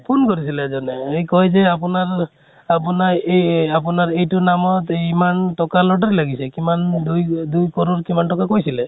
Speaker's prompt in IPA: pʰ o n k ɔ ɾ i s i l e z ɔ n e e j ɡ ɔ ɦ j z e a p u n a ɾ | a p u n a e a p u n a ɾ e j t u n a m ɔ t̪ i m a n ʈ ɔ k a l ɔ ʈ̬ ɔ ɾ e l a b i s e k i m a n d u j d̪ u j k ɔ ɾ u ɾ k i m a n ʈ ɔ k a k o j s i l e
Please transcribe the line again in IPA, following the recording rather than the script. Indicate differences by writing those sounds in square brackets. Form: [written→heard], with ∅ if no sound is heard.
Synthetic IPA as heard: pʰ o n k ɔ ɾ i s i l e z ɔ n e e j [ɡ→k] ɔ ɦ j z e a p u n a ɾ | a p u n a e a p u n a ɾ e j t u n a m ɔ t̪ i m a n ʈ ɔ k a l ɔ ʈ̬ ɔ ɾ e l a [b→ɡ] i s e k i m a n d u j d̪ u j k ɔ ɾ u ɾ k i m a n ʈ ɔ k a k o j s i l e

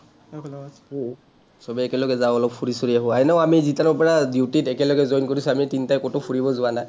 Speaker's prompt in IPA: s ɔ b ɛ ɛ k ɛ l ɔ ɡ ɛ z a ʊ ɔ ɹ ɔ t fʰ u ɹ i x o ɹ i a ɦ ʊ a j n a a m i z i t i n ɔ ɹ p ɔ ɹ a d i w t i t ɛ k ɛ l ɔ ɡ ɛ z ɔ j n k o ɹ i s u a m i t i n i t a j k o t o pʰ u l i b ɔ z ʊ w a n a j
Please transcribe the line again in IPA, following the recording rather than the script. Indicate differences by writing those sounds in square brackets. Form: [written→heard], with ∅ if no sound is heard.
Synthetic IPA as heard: s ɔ b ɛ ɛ k ɛ l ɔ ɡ ɛ z a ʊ ɔ [ɹ→l] ɔ [t→p] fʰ u ɹ i [x→s] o ɹ i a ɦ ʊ a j n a a m i z i t [i→a] n ɔ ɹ p ɔ ɹ a d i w t i t ɛ k ɛ l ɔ ɡ ɛ z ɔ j n k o ɹ i s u a m i t i n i t a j k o t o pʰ u [l→ɹ] i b ɔ z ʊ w a n a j

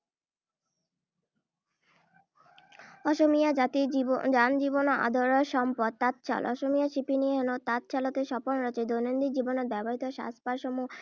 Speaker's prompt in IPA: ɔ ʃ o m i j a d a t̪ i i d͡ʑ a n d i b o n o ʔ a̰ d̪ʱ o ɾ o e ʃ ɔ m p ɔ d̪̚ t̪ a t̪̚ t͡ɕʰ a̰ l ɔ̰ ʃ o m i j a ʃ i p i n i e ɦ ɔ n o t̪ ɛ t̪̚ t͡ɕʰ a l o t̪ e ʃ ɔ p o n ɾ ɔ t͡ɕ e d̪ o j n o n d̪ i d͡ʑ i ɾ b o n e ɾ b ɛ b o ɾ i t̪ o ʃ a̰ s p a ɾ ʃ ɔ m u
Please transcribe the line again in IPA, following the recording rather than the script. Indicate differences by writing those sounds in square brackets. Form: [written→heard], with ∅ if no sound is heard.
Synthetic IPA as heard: ɔ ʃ o m i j a [d→d͡ʑ] a t̪ i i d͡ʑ a n [d→d͡ʑ] i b o n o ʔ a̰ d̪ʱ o ɾ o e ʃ ɔ m p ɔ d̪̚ t̪ a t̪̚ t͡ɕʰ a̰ l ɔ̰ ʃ o m i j a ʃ i p i n i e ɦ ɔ n o t̪ [ɛ→a] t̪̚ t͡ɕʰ a l o t̪ e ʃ ɔ p o n ɾ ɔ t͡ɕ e d̪ o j n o n d̪ i d͡ʑ i [ɾ→∅] b o n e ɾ b ɛ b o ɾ i t̪ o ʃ a̰ s p a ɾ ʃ ɔ m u

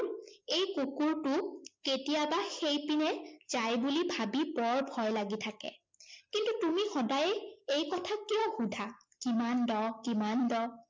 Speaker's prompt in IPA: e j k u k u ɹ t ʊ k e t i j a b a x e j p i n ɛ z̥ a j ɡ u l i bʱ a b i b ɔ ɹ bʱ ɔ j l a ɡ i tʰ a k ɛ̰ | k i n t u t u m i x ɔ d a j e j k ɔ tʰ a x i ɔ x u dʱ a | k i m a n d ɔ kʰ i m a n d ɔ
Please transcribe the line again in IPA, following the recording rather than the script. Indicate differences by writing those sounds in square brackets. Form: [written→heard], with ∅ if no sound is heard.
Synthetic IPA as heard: e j k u k u ɹ t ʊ k e t i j a b a x e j p i n ɛ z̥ a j [ɡ→b] u l i bʱ a b i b ɔ ɹ bʱ ɔ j l a ɡ i tʰ a k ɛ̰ | k i n t u t u m i x ɔ d a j e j k ɔ tʰ a [x→k] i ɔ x u dʱ a | k i m a n d ɔ [kʰ→k] i m a n d ɔ

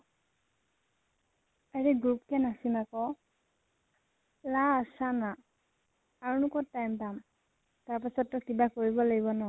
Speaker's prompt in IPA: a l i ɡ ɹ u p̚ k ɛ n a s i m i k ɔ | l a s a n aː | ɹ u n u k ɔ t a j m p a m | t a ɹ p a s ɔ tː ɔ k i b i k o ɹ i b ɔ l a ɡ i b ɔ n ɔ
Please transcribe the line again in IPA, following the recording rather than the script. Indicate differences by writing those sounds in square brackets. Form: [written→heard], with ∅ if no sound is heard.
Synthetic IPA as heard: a [l→ɹ] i ɡ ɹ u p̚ k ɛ n a s i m [i→a] k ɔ | l a s a n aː | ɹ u n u k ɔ t a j m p a m | t a ɹ p a s ɔ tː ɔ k i b [i→a] k o ɹ i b ɔ l a ɡ i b ɔ n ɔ

